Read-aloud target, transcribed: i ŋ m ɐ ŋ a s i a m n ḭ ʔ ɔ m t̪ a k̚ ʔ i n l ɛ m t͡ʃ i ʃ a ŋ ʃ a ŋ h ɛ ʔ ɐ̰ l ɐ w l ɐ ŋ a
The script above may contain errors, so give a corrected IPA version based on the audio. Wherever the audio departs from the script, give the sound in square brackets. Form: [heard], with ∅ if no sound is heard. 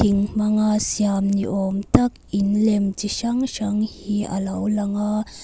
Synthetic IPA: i ŋ m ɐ ŋ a s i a m n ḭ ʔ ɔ m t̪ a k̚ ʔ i n l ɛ m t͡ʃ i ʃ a ŋ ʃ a ŋ h [i] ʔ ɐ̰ l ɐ w l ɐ ŋ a